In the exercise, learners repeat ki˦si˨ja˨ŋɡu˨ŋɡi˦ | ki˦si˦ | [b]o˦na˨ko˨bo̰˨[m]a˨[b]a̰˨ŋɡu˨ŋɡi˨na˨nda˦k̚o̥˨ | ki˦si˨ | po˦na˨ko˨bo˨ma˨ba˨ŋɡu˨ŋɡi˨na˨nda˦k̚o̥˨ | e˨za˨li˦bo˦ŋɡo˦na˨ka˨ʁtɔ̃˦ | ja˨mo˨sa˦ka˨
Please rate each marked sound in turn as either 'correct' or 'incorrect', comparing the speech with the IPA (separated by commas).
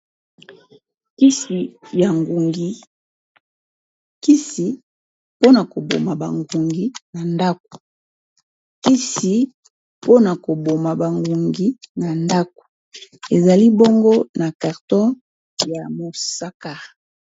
incorrect, correct, correct